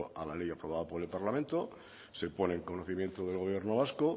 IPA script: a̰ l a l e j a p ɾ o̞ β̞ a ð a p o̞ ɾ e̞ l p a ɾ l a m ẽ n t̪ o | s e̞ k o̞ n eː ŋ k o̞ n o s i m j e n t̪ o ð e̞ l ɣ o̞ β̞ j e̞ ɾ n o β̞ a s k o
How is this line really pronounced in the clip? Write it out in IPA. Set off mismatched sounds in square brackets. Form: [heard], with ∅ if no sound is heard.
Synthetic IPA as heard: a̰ l a l e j a p ɾ o̞ β̞ a ð a p o̞ ɾ e̞ l p a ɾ l a m ẽ n t̪ o | s e̞ [p] o̞ n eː ŋ k o̞ n o [θ] i m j e n t̪ o ð e̞ l ɣ o̞ β̞ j e̞ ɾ n o β̞ a s k o